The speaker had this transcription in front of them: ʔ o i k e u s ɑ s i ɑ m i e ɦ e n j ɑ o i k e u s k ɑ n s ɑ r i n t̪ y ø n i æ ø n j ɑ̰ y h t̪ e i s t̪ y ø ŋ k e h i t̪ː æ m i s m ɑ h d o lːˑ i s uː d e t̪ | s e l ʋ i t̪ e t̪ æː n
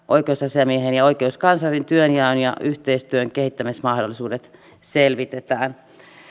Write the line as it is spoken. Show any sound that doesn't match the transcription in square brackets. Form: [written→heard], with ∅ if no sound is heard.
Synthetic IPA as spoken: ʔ o i k e u s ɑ s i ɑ m i e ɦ e n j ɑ o i k e u s k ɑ n s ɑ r i n t̪ y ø n [i→j] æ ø n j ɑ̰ y h t̪ e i s t̪ y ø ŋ k e h i t̪ː æ m i s m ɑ h d o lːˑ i s uː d e t̪ | s e l ʋ i t̪ e t̪ æː n